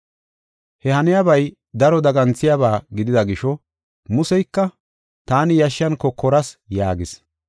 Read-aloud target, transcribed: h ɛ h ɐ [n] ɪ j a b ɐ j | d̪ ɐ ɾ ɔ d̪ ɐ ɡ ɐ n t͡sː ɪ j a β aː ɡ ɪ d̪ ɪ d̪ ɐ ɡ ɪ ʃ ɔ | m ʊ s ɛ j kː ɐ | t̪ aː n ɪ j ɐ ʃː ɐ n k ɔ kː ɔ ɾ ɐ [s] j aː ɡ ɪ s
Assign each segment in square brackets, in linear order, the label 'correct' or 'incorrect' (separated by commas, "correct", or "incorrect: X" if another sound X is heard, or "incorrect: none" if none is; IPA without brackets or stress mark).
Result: correct, correct